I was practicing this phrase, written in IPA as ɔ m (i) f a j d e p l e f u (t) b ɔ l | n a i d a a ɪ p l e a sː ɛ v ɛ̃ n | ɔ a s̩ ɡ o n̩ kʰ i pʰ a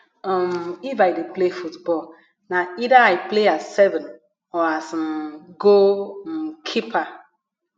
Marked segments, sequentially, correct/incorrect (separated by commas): correct, correct